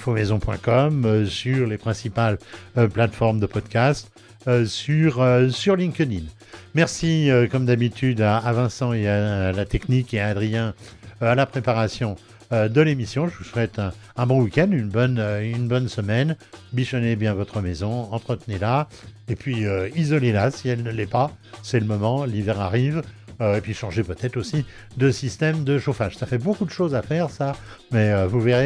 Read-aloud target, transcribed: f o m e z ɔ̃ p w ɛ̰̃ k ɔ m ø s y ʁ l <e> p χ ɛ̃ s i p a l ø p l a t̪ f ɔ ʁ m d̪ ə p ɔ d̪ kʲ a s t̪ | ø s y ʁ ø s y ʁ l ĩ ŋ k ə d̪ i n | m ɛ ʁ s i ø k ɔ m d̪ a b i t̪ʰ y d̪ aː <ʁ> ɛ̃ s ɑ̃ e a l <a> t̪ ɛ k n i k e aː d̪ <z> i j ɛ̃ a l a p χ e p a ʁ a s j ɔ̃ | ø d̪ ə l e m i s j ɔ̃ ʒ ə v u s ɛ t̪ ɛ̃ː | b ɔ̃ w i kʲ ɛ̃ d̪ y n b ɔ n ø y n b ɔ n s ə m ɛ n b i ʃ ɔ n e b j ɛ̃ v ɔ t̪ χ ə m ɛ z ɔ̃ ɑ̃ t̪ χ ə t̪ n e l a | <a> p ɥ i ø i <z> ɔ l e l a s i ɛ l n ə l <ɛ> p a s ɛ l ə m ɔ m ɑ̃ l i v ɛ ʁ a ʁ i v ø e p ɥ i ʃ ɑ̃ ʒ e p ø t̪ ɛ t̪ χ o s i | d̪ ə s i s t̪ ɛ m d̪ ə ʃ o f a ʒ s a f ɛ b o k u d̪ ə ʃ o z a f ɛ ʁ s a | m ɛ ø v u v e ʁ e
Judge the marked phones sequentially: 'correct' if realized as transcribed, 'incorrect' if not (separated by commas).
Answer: correct, incorrect, correct, incorrect, incorrect, correct, correct